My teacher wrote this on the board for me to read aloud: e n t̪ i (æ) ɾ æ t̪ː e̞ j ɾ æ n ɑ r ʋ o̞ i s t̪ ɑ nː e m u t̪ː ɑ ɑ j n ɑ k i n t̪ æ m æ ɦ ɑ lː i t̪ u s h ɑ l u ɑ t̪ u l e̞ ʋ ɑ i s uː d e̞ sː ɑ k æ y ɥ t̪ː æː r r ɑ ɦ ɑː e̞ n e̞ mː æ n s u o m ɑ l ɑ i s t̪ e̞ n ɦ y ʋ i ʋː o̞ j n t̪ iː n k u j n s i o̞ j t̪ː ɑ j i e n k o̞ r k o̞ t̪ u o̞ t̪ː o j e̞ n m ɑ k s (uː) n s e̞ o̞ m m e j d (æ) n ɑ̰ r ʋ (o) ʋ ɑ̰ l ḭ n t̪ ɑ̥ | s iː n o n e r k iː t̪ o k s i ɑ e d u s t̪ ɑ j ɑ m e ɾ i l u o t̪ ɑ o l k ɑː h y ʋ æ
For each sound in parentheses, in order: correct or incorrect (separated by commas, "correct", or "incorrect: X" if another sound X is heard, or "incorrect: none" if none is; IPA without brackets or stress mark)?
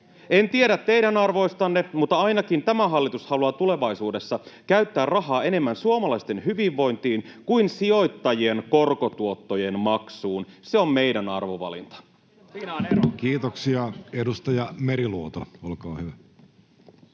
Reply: incorrect: e, correct, correct, correct